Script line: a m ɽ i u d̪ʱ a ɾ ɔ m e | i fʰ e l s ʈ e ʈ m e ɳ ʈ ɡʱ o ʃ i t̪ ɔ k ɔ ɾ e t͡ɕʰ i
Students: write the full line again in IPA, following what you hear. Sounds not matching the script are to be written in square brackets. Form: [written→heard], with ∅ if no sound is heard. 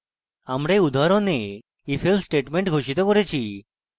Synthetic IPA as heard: a m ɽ [i→e] u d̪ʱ a ɾ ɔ [m→n] e | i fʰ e l s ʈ e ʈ m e ɳ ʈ ɡʱ o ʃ i t̪ ɔ k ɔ ɾ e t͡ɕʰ i